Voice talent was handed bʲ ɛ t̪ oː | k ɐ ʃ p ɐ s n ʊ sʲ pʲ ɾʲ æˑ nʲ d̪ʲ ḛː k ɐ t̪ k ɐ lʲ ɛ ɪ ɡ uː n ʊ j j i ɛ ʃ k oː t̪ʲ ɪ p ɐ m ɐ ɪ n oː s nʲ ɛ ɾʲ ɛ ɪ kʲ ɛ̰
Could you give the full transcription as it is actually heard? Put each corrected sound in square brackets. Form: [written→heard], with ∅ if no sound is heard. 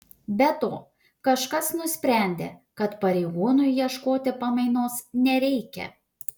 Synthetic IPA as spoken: bʲ ɛ t̪ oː | k ɐ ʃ [p→k] ɐ s n ʊ sʲ pʲ ɾʲ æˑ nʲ d̪ʲ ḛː k ɐ t̪ [k→p] ɐ [lʲ→ɾʲ] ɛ ɪ ɡ uː n ʊ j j i ɛ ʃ k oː t̪ʲ ɪ p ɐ m ɐ ɪ n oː s nʲ ɛ ɾʲ ɛ ɪ kʲ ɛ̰